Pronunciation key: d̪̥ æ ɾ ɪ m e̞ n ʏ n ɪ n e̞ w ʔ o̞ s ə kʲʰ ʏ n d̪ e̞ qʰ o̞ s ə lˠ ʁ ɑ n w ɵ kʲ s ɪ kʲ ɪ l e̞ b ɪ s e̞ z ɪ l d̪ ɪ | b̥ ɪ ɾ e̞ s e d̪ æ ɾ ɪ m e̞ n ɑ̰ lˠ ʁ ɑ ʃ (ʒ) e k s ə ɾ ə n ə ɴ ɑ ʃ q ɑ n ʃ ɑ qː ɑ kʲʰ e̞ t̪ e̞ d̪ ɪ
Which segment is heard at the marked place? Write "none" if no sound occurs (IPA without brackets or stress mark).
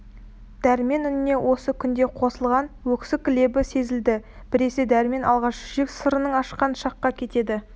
ʒ